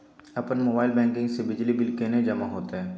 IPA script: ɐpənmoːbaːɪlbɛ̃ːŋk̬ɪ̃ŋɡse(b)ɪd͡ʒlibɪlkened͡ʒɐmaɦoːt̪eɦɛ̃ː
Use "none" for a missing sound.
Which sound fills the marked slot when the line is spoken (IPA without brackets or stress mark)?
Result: b